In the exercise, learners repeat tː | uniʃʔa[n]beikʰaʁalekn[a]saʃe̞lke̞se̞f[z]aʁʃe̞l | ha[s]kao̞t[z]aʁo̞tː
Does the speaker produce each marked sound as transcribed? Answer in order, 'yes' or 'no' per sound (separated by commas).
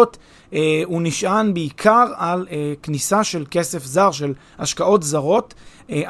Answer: yes, no, yes, no, yes